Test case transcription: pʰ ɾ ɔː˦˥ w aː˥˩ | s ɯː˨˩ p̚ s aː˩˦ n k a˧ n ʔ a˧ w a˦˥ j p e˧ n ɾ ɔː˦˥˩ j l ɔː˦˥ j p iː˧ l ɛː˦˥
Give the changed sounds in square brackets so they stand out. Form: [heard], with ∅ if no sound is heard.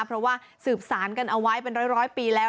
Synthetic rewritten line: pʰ ɾ [ɔ˦˥] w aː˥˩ | s ɯː˨˩ p̚ s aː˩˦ n k a˧ n ʔ a˧ w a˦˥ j p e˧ n ɾ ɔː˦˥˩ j [ɾ] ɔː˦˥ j p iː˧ l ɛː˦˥